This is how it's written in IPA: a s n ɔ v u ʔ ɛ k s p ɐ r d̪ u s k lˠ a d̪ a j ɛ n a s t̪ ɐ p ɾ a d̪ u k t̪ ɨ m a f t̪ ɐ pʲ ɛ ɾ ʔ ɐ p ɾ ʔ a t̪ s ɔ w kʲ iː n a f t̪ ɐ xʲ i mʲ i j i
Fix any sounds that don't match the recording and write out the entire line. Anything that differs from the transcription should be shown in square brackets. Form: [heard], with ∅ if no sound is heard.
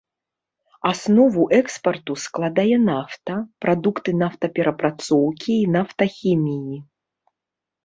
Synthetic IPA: a s n ɔ v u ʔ ɛ k s p ɐ r [t̪] u s k lˠ a d̪ a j ɛ n a [f] t̪ ɐ p ɾ a d̪ u k t̪ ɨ [n] a f t̪ ɐ pʲ ɛ ɾ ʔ ɐ p ɾ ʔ a t̪ s ɔ w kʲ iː n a f t̪ ɐ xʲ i mʲ i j i

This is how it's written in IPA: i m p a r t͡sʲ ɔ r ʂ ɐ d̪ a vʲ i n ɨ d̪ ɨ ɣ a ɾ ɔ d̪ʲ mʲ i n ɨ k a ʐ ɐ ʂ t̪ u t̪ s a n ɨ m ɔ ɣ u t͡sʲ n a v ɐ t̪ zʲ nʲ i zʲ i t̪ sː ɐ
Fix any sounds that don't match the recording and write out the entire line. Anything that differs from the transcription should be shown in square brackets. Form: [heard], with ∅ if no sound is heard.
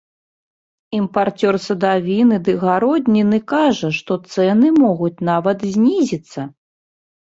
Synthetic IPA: i m p a r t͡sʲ ɔ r [s] ɐ d̪ a vʲ i n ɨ d̪ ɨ ɣ a ɾ ɔ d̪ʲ [nʲ] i n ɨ k a ʐ ɐ ʂ t̪ [ɔ] t̪ s [ɛ] n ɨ m ɔ ɣ u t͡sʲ n a v ɐ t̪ zʲ nʲ i zʲ i t̪ sː ɐ

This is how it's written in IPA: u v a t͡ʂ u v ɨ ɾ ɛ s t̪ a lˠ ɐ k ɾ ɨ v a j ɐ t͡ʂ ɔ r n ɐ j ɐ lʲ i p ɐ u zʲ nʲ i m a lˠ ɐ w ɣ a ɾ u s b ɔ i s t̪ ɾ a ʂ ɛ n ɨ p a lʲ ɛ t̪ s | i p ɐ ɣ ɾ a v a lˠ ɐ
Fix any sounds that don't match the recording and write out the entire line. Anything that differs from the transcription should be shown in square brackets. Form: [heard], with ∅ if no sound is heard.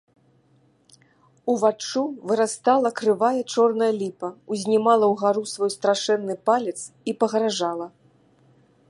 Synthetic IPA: u v a t͡ʂ u v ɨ ɾ [a] s t̪ a lˠ ɐ k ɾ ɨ v a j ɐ t͡ʂ ɔ r n ɐ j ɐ lʲ i p ɐ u zʲ nʲ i m a lˠ ɐ w ɣ a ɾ u s [v] ɔ [j] s t̪ ɾ a ʂ ɛ [nː] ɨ p a lʲ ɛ t̪ s | i p ɐ ɣ ɾ a [ʐ] a lˠ ɐ

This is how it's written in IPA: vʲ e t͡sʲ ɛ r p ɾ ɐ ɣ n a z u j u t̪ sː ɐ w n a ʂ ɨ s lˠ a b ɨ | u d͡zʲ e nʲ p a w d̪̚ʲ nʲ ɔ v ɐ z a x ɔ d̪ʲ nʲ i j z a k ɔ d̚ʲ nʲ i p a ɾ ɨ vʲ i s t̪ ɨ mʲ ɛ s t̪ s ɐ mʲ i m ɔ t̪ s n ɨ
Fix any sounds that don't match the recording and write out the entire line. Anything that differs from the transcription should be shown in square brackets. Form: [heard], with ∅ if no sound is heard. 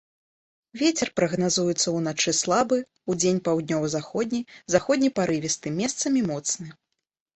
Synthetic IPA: vʲ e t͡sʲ ɛ r p ɾ ɐ ɣ n a z u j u t̪ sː ɐ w n a [t͡ʂ] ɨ s lˠ a b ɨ | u d͡zʲ e nʲ p a w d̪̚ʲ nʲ ɔ v ɐ z a x ɔ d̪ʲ nʲ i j z a [x] ɔ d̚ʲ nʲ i p a ɾ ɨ vʲ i s t̪ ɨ mʲ ɛ s t̪ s ɐ mʲ i m ɔ t̪ s n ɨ

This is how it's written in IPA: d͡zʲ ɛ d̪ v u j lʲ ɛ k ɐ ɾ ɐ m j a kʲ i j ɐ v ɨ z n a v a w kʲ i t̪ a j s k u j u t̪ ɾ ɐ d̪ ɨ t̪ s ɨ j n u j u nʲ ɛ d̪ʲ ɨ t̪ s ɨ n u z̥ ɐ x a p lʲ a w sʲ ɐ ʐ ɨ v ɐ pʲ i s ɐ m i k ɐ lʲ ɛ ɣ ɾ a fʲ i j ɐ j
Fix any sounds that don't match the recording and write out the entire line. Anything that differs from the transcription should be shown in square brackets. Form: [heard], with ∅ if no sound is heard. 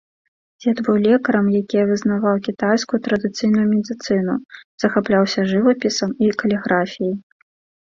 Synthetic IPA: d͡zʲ ɛ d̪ v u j lʲ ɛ k ɐ ɾ ɐ m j a kʲ i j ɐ v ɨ z n a v a w kʲ i t̪ a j s k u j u t̪ ɾ ɐ d̪ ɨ t̪ s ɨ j n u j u [mʲ] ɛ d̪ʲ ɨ t̪ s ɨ n u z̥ ɐ x a p lʲ a w sʲ ɐ ʐ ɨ v ɐ pʲ i s ɐ m i k ɐ lʲ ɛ ɣ ɾ a fʲ i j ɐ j

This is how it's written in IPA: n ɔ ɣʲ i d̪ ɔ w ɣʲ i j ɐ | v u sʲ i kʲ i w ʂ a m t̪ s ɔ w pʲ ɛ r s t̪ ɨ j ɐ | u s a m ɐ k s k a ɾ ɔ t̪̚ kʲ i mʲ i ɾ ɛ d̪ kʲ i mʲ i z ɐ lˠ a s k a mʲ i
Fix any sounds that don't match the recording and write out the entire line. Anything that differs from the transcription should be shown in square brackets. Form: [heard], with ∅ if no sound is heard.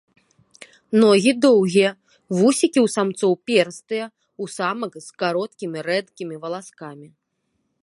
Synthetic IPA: n ɔ ɣʲ i d̪ ɔ w ɣʲ i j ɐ | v u sʲ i kʲ i w [s] a m t̪ s ɔ w pʲ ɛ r s t̪ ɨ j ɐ | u s a m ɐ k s k a ɾ ɔ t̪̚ kʲ i mʲ i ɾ ɛ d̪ kʲ i mʲ i [v] ɐ lˠ a s k a mʲ i

